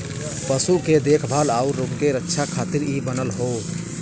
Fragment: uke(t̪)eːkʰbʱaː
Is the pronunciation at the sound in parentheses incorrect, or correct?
incorrect